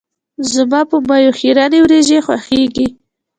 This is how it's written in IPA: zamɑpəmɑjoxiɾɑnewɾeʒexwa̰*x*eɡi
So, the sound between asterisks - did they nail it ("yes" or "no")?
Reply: yes